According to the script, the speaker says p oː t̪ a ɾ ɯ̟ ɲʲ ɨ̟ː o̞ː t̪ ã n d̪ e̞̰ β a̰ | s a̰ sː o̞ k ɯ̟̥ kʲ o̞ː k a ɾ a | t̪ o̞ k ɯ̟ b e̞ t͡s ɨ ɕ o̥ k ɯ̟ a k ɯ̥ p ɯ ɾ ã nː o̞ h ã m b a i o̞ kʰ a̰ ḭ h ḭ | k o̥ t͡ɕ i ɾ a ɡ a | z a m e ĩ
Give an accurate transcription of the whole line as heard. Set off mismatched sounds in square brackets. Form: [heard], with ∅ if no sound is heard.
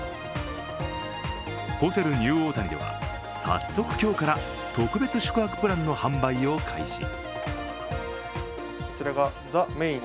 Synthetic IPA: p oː t̪ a ɾ ɯ̟ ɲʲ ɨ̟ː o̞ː t̪ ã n d̪ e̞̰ β a̰ | s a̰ sː o̞ k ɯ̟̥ kʲ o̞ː k a ɾ a | t̪ o̞ k ɯ̟ b e̞ t͡s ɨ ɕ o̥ k ɯ̟ a k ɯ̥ p ɯ ɾ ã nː o̞ h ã m b a i o̞ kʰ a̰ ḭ [ɕ] ḭ | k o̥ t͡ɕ i ɾ a ɡ a | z a m e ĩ